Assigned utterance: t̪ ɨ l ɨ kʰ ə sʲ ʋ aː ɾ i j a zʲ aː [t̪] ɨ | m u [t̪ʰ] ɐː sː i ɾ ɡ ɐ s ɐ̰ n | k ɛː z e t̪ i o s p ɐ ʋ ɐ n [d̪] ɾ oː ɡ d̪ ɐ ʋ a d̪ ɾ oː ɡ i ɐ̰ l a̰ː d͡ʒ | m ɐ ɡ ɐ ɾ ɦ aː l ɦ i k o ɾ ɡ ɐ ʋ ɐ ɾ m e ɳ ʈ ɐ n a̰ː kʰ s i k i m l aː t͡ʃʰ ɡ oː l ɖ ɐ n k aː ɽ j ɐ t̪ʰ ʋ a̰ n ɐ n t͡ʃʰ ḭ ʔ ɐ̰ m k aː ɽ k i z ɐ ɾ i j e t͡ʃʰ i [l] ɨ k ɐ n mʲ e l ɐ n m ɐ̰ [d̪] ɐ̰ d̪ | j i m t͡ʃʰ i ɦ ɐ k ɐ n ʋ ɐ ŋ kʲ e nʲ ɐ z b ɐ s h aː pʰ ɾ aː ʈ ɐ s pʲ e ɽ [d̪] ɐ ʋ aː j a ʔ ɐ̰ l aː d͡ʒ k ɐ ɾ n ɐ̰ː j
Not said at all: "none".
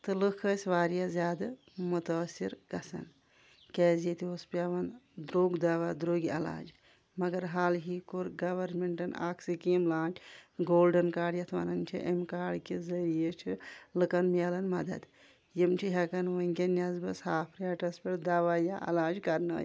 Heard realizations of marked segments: d̪, t̪, d̪, l, d̪, d̪

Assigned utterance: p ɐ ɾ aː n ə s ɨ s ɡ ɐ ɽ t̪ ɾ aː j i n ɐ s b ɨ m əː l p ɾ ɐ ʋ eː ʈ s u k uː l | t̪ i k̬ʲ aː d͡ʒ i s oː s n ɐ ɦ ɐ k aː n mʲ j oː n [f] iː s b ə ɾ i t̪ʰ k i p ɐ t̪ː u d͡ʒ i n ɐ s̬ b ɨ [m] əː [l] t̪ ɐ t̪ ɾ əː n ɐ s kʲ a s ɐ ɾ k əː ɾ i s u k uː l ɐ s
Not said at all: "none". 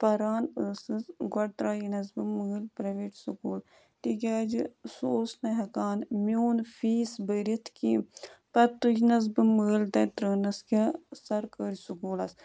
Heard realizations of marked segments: f, m, l

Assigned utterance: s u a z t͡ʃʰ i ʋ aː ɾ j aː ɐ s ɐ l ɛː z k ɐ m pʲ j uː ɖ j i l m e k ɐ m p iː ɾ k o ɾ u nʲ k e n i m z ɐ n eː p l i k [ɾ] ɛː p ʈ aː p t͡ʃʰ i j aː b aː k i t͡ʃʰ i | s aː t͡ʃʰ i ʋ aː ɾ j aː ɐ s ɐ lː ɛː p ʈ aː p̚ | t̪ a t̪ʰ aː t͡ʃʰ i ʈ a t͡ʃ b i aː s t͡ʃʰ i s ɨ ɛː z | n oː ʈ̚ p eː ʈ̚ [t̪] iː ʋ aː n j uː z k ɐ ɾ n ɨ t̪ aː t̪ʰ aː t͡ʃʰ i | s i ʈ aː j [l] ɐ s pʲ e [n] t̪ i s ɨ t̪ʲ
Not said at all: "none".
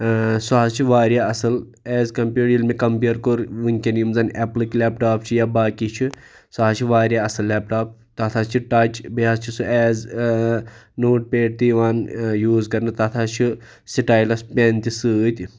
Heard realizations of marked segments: l, t̪, l, n

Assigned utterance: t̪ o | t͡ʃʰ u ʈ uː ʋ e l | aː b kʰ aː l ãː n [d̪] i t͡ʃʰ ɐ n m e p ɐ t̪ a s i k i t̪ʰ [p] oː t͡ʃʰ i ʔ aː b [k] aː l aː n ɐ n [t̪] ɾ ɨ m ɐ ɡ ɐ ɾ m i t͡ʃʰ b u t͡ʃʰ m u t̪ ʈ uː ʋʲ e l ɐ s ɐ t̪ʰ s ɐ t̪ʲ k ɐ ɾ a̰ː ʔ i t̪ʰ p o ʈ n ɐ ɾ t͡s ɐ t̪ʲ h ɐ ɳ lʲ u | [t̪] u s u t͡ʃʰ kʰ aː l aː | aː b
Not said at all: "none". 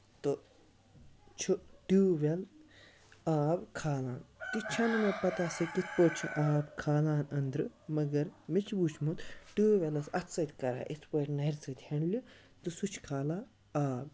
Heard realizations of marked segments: t̪, p, kʰ, d̪, t̪

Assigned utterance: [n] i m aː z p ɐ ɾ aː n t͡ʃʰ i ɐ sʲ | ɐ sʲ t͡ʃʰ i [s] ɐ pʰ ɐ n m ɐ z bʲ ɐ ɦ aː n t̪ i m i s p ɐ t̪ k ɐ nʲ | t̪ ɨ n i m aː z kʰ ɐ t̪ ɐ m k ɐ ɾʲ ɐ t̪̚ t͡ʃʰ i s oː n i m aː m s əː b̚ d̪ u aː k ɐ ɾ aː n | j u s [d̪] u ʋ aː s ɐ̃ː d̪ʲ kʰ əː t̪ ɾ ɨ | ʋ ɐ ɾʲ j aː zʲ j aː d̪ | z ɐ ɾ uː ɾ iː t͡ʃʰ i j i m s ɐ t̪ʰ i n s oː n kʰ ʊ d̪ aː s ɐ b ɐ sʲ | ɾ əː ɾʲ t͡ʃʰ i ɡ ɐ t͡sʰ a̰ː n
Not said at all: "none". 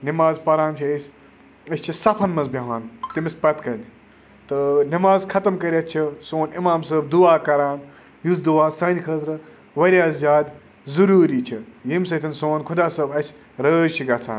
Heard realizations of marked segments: n, s, d̪

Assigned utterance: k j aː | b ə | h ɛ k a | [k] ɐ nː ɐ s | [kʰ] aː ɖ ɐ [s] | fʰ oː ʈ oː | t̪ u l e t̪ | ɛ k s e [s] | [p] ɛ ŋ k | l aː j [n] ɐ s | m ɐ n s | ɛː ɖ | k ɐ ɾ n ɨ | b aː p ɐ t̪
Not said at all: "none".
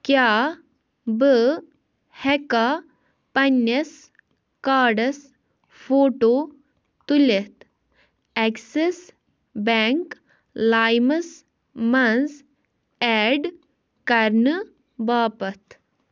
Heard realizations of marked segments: p, k, s, s, b, m

